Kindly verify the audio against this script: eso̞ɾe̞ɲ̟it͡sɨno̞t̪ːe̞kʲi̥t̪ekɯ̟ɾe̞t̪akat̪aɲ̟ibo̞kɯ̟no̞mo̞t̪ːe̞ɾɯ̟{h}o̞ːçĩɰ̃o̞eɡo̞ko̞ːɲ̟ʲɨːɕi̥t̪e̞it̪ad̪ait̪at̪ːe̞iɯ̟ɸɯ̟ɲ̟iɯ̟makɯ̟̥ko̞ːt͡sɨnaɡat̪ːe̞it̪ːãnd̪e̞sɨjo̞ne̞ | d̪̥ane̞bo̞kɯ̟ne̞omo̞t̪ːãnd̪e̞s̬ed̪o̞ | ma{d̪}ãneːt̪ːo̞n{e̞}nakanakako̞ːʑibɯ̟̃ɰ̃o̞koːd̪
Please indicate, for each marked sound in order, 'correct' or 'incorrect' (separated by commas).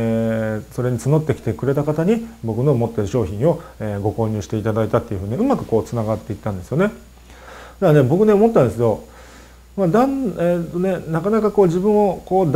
incorrect, correct, correct